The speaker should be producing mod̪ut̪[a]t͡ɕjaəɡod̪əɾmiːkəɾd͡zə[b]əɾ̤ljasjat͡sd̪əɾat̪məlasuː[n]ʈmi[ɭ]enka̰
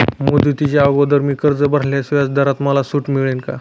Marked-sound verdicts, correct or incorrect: incorrect, correct, incorrect, correct

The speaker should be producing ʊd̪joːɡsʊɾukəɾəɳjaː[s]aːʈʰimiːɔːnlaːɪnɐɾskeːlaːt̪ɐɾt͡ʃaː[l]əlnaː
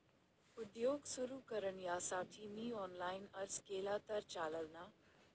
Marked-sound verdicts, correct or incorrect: correct, correct

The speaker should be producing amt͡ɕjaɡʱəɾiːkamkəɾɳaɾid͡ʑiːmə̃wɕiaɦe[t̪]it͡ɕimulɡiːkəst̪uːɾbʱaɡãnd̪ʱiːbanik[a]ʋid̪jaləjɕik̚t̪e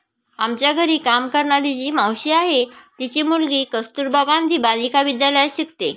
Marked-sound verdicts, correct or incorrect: correct, correct

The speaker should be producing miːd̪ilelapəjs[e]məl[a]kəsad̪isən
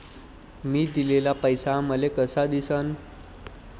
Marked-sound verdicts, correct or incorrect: incorrect, incorrect

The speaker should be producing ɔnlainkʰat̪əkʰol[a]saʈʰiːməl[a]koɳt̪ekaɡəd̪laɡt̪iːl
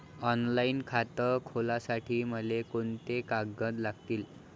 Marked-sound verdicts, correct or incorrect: correct, incorrect

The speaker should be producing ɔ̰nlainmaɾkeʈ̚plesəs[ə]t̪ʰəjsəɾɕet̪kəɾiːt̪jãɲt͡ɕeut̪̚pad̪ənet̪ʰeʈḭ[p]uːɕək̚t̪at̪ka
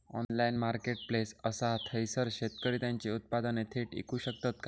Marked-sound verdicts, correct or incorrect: incorrect, incorrect

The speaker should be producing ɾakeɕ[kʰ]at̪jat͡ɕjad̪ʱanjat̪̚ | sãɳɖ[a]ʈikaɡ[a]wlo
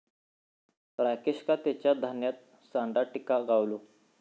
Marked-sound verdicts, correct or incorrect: incorrect, correct, correct

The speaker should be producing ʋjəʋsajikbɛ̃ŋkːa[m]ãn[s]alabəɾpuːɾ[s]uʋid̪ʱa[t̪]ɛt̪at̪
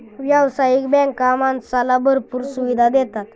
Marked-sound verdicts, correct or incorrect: correct, correct, correct, incorrect

